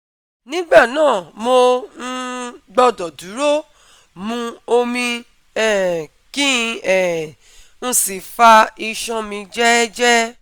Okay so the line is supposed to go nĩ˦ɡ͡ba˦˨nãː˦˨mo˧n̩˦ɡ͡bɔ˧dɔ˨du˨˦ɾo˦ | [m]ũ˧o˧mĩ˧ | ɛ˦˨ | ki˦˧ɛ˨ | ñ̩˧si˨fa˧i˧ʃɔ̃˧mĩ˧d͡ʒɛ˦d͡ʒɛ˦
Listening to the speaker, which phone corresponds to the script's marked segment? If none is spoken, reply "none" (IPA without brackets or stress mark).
m